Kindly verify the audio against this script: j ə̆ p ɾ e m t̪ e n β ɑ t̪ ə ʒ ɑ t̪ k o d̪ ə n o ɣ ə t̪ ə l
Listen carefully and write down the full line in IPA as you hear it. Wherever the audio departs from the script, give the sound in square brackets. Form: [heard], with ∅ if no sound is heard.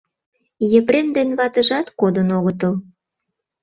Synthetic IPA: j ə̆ p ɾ e m [d̪] e n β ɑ t̪ ə ʒ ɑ t̪ k o d̪ ə n o ɣ ə t̪ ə l